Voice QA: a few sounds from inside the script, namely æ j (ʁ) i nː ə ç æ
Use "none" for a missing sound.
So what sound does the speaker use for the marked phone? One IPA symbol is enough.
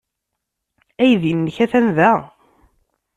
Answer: ð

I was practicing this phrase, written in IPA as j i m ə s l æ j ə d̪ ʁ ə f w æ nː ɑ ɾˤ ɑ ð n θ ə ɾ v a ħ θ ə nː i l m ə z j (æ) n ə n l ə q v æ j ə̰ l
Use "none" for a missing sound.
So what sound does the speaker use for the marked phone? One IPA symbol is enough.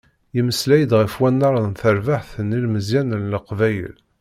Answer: æ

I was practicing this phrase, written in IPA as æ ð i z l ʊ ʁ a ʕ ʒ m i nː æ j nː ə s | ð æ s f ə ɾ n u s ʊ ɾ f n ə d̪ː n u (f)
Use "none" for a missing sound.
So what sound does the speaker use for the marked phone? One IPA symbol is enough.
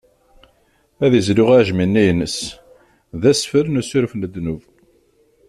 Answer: v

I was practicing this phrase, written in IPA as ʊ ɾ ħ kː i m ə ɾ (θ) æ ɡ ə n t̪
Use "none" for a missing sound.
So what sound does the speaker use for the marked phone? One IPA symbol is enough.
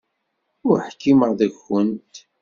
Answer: ð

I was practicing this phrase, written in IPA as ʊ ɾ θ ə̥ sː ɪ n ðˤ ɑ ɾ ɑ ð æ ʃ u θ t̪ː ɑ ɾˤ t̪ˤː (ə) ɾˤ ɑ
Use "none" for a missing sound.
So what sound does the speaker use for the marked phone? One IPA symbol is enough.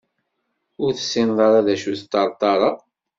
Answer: ɑ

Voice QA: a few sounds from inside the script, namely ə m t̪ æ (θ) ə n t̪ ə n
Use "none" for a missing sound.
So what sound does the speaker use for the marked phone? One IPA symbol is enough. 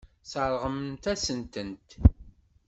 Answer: s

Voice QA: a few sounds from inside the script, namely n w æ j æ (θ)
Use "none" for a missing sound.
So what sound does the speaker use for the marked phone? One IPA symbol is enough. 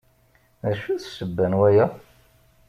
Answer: none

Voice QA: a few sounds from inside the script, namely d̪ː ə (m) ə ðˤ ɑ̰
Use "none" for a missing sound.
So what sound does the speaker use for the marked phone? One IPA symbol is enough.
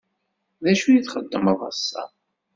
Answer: m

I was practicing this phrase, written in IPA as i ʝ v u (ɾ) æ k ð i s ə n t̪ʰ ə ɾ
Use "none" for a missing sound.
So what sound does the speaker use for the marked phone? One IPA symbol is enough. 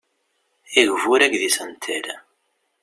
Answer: ɾ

